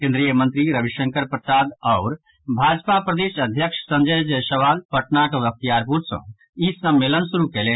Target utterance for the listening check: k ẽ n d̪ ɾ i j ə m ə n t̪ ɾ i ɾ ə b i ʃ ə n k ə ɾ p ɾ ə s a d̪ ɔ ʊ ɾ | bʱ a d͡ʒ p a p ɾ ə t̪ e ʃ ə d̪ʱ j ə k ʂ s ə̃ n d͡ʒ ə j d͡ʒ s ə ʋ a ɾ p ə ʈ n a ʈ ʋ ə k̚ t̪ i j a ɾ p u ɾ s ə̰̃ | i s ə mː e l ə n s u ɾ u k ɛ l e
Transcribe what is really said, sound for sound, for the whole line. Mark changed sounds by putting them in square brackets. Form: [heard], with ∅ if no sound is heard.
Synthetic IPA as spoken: k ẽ n d̪ ɾ i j ə m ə n t̪ ɾ i ɾ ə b i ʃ ə [ŋ] k ə ɾ p ɾ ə s a d̪ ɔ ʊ ɾ | bʱ a d͡ʒ p a p ɾ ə [d̪] e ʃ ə d̪ʱ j ə k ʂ s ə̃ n d͡ʒ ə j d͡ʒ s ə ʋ a [l] p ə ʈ n a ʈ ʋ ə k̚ t̪ i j a ɾ p u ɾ s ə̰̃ | i s ə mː e l ə n s u ɾ u k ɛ l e

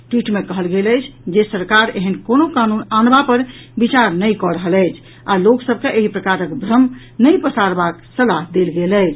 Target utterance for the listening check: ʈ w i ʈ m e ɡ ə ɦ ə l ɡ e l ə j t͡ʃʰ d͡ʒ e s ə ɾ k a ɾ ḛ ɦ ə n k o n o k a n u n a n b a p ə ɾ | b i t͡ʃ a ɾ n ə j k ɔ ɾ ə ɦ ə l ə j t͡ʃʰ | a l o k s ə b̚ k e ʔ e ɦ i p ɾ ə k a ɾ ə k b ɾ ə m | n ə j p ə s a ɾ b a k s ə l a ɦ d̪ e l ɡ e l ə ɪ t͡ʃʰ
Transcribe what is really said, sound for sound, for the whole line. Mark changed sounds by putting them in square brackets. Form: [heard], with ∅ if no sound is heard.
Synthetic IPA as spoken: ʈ w i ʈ m e [k] ə ɦ ə l ɡ e l ə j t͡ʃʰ d͡ʒ e s ə ɾ k a ɾ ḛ ɦ ə n k o n o k a n u n a n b a p ə ɾ | b i t͡ʃ a ɾ n ə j k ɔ ɾ ə ɦ ə l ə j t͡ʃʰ | a l o k s ə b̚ k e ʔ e ɦ i p ɾ ə k a ɾ ə k b ɾ ə m | n ə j p ə s a ɾ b a k s ə l a ɦ d̪ e l ɡ e l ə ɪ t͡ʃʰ

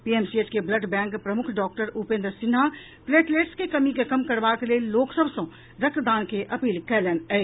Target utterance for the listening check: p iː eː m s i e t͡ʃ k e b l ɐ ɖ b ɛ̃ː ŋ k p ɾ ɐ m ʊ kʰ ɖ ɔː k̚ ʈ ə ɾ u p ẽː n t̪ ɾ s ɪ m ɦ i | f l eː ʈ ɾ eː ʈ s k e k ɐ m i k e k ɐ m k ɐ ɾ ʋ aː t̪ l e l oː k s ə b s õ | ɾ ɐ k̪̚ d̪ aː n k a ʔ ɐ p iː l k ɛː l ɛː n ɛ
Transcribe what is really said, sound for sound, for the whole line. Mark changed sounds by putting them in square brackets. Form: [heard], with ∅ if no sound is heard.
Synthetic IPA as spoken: p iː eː m s i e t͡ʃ k e b l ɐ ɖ b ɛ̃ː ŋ k p ɾ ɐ m ʊ kʰ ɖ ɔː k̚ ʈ ə ɾ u p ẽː n [d̪] ɾ s ɪ [n] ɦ [a] | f l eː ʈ [l] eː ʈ s k e k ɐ m i k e k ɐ m k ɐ ɾ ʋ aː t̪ l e l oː k s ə b s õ | ɾ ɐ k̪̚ d̪ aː n k [e] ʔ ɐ p iː l k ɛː l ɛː n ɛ

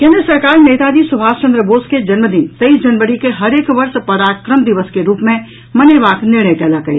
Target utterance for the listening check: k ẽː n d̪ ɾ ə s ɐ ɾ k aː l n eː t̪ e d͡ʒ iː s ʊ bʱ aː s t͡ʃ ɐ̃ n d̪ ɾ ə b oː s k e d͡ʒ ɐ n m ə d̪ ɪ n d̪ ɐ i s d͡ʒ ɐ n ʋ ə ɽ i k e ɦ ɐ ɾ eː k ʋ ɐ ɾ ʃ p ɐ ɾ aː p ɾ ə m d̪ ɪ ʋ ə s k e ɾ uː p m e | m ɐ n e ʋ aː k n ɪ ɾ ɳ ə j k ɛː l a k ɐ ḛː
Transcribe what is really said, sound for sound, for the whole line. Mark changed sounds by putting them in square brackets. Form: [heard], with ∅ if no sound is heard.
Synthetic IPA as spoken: k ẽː n d̪ ɾ ə s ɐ ɾ k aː [ɾ] n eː t̪ [a] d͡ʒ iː s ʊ bʱ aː s t͡ʃ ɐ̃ n d̪ ɾ ə b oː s k e d͡ʒ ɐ n m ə d̪ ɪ n [t̪] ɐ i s d͡ʒ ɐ n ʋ ə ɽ i k e ɦ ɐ ɾ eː k ʋ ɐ ɾ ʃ p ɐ ɾ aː [k] ɾ ə m d̪ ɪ ʋ ə s k e ɾ uː p m [ẽ] | m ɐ n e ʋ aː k n ɪ ɾ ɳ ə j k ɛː l a k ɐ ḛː

